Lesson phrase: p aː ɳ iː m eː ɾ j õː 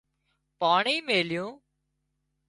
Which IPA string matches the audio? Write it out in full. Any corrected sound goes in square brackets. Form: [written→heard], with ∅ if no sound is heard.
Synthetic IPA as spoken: p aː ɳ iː m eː [ɾ→l] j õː